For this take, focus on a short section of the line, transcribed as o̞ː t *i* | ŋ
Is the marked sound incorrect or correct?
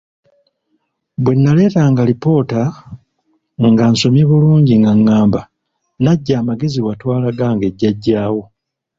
incorrect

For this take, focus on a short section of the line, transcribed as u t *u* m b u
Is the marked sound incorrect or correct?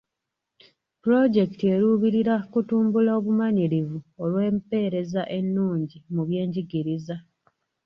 incorrect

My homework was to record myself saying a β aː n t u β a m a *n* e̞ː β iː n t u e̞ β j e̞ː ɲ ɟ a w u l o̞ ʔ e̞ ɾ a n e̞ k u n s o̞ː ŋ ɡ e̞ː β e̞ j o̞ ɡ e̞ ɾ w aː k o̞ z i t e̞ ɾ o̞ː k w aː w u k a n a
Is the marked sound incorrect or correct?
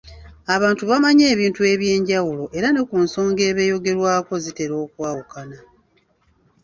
incorrect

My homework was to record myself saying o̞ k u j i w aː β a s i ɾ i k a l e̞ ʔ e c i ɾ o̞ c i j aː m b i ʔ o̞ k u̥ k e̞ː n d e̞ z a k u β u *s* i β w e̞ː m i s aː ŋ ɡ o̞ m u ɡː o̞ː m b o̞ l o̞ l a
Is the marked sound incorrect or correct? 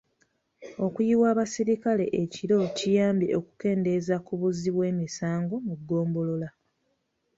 incorrect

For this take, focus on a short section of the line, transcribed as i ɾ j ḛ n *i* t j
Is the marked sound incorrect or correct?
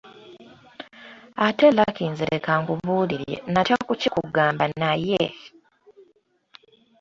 incorrect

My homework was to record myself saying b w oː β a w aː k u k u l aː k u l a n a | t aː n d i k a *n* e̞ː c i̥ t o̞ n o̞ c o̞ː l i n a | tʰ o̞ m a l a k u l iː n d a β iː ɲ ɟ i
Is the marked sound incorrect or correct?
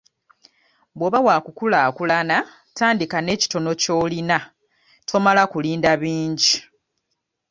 correct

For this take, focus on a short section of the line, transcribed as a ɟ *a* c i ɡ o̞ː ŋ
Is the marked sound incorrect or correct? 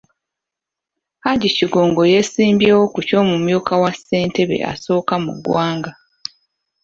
incorrect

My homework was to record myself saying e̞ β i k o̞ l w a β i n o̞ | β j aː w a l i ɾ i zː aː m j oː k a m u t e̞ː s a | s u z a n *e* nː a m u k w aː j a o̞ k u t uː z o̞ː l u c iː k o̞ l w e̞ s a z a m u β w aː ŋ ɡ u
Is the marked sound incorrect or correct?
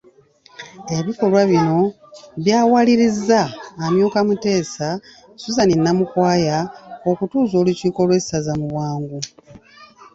incorrect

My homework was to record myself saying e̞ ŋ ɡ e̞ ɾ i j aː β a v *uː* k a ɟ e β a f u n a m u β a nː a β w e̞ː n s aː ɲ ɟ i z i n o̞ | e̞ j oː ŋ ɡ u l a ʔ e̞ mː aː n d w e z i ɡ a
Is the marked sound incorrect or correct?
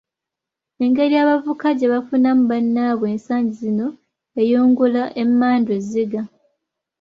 incorrect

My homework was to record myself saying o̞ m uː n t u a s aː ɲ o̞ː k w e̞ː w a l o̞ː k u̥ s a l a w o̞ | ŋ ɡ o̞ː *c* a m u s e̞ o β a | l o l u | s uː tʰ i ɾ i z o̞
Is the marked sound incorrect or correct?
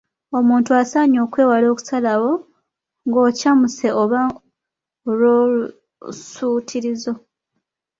correct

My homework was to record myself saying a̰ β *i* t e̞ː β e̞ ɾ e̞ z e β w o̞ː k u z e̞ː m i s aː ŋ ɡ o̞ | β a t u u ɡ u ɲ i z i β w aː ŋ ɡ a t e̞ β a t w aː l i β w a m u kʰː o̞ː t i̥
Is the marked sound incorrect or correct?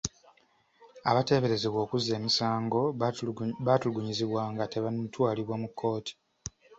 incorrect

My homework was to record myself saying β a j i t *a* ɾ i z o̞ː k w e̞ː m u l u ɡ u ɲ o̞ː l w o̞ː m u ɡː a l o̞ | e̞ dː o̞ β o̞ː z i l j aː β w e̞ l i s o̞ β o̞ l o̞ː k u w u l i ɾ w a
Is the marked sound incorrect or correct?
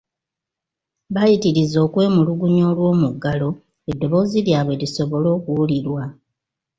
incorrect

